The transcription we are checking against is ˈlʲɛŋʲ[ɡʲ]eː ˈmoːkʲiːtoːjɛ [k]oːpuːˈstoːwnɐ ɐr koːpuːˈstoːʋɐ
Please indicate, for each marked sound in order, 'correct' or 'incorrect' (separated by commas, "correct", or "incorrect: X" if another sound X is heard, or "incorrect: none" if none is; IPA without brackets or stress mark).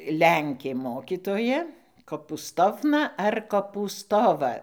incorrect: kʲ, correct